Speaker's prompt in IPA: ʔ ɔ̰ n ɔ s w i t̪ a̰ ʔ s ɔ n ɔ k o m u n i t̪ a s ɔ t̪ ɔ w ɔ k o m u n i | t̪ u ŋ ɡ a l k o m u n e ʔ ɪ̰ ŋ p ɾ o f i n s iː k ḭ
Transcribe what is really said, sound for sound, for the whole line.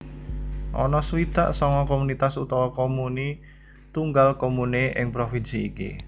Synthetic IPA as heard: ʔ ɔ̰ n ɔ s w i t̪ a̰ ʔ s ɔ ŋ ɔ k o m u n i t̪ a s u t̪ ɔ w ɔ k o m u n i | t̪ u ŋ ɡ a l k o m u n e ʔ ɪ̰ ŋ p ɾ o f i n s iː k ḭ